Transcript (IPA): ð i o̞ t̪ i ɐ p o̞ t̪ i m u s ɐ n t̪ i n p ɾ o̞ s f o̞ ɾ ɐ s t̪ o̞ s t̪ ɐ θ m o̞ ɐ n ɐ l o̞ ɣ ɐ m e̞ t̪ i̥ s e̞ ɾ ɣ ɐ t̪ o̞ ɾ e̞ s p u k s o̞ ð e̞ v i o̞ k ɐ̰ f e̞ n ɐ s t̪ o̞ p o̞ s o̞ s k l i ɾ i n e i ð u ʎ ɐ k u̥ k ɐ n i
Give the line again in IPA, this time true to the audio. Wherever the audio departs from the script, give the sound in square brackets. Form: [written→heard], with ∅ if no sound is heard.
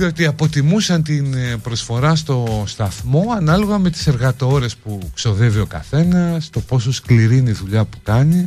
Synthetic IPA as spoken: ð i o̞ t̪ i ɐ p o̞ t̪ i m u s ɐ n t̪ i n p ɾ o̞ s f o̞ ɾ ɐ s t̪ o̞ s t̪ ɐ θ m o̞ ɐ n ɐ l o̞ ɣ ɐ m e̞ t̪ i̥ s e̞ ɾ ɣ ɐ t̪ o̞ ɾ e̞ s p u k s o̞ ð e̞ v i o̞ k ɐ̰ [f→θ] e̞ n ɐ s t̪ o̞ p o̞ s o̞ s k l i ɾ i n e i ð u ʎ ɐ [k→p] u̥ k ɐ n i